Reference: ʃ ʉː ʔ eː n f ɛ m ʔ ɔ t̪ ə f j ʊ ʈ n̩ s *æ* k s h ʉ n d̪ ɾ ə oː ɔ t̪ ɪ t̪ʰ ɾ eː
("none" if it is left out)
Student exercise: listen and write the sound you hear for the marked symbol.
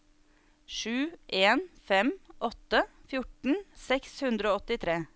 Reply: ɛ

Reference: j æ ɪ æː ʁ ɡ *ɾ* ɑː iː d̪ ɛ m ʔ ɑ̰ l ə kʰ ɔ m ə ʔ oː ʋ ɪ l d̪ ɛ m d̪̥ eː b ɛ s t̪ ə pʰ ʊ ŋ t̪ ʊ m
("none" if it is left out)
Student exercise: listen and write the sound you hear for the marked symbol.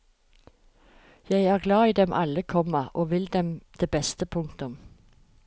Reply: l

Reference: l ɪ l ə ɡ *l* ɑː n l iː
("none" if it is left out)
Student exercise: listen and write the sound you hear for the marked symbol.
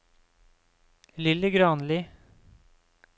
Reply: ɾ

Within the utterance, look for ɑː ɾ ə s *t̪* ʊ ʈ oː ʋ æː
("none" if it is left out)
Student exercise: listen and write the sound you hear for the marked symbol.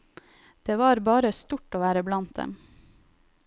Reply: t̪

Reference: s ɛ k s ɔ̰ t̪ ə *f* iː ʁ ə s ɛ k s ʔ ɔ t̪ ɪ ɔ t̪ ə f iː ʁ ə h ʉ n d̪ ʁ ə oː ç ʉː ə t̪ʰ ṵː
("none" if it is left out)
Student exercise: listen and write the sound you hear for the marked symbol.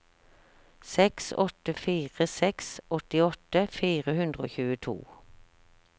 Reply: f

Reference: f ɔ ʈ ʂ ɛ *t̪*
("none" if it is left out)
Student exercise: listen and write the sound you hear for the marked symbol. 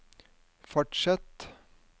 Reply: t̪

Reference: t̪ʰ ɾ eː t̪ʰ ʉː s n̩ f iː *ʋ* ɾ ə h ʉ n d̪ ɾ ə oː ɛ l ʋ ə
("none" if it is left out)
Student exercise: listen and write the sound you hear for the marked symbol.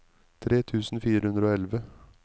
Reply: none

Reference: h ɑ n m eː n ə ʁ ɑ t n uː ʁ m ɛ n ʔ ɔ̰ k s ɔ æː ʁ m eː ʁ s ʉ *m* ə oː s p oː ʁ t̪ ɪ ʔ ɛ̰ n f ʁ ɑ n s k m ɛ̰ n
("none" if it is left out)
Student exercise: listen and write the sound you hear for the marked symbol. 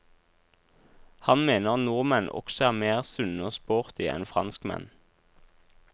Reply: n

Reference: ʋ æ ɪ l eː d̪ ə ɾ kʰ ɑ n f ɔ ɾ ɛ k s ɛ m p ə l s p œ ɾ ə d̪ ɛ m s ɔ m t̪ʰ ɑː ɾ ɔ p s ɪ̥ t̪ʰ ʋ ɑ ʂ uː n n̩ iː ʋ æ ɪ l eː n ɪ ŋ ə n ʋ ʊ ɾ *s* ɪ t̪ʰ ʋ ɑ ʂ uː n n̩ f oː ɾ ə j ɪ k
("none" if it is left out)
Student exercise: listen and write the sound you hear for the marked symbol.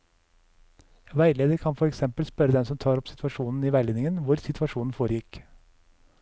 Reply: s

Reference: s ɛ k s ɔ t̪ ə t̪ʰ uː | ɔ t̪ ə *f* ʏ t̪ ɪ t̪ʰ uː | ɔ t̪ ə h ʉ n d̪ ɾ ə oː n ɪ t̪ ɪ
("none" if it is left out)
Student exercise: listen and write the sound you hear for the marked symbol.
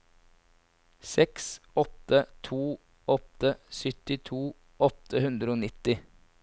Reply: s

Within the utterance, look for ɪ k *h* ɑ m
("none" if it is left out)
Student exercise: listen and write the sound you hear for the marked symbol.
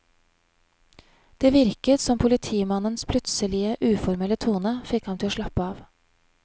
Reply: h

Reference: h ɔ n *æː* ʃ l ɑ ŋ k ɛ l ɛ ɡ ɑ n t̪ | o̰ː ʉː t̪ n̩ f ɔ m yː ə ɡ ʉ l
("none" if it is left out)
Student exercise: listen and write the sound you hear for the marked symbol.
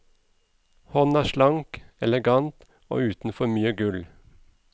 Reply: æː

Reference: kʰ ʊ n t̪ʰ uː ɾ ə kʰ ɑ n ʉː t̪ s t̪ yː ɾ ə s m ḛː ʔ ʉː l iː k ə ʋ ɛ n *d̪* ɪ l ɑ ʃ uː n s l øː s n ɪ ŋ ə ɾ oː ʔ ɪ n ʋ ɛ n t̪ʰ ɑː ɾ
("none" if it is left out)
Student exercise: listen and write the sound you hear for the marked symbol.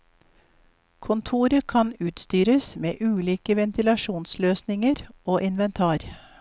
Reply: t̪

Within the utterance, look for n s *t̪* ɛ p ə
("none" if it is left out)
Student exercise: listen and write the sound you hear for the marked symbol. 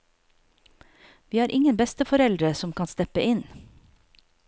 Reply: t̪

